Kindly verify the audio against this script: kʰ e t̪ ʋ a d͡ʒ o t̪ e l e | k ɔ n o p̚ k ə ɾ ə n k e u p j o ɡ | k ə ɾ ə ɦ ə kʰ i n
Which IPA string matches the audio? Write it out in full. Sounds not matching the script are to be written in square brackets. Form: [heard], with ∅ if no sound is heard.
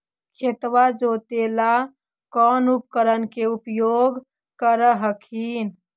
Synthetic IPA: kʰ e t̪ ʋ a d͡ʒ o t̪ e l [a] | k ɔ n [u] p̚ k ə ɾ ə n k e u p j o ɡ | k ə ɾ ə ɦ ə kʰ i n